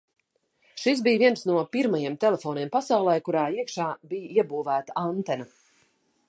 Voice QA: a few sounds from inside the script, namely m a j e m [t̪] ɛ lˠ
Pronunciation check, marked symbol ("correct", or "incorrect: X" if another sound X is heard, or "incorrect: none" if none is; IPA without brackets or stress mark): correct